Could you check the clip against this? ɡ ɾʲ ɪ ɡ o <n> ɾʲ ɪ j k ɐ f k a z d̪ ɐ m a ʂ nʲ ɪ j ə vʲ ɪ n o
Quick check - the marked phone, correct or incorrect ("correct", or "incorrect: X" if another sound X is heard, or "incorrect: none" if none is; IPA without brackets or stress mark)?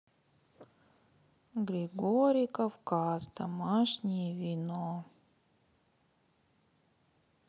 incorrect: none